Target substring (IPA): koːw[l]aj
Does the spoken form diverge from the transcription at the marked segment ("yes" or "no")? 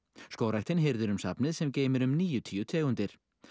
yes